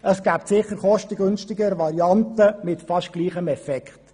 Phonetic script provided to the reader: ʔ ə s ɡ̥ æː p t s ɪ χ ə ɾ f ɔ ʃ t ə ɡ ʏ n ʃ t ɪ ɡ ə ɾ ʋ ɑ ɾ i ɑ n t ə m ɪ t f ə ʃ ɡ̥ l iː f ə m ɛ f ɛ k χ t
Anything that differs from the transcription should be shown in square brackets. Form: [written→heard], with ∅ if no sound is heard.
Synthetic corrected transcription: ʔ ə s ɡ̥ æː p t s ɪ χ ə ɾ [f→χ] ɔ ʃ t ə ɡ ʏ n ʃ t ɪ ɡ ə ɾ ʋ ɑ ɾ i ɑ n t ə m ɪ t f [ə→ɑ] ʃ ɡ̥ l iː [f→χ] ə m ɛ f ɛ k χ t